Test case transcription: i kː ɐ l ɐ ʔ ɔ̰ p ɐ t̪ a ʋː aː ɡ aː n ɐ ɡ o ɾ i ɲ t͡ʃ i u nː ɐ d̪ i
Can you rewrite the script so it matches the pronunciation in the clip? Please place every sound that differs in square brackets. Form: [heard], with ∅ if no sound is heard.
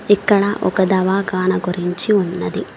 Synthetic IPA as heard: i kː ɐ [ɭ] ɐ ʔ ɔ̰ [k] ɐ [d̪] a [ʋ] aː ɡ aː n ɐ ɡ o ɾ i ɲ t͡ʃ i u nː ɐ d̪ i